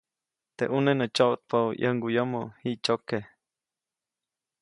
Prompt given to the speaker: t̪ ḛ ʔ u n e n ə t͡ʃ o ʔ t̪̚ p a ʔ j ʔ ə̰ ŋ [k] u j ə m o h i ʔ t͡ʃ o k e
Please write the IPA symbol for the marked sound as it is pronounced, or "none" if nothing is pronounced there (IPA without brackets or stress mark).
ɡ